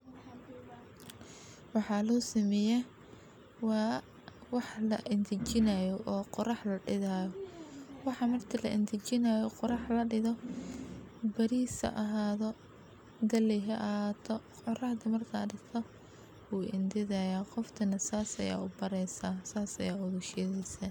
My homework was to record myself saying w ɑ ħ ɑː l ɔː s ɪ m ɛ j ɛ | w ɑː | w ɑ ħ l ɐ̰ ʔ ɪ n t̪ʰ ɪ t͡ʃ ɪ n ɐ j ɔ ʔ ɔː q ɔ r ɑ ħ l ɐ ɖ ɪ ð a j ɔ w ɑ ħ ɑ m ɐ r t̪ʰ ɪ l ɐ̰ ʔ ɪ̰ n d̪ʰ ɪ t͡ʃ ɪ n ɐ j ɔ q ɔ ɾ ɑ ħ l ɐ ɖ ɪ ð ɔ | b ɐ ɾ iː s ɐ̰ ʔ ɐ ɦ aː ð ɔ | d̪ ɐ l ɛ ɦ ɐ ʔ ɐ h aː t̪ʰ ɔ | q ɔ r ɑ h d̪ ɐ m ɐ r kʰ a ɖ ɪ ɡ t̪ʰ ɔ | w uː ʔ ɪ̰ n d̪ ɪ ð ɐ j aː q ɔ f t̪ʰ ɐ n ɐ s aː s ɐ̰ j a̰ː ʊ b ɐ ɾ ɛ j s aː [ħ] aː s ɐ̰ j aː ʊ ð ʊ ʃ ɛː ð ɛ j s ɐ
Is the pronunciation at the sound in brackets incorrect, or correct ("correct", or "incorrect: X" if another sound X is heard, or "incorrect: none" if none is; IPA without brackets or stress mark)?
incorrect: s